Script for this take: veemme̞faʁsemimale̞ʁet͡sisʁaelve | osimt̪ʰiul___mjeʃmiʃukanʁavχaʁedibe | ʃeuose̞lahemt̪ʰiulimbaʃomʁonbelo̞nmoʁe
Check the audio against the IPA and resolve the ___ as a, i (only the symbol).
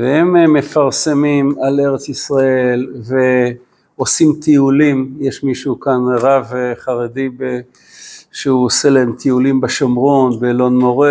i